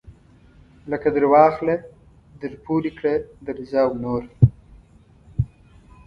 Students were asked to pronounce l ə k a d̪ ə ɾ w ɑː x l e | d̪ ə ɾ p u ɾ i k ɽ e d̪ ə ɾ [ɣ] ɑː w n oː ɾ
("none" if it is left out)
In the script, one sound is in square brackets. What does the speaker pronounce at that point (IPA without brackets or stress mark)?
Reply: z